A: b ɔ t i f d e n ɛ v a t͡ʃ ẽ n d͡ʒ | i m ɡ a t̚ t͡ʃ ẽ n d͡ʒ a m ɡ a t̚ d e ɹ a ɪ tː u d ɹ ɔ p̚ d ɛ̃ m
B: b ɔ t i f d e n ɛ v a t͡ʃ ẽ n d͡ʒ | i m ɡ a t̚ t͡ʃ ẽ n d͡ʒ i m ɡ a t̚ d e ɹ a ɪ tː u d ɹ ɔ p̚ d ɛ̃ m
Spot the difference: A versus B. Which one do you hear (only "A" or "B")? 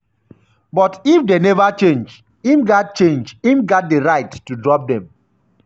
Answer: B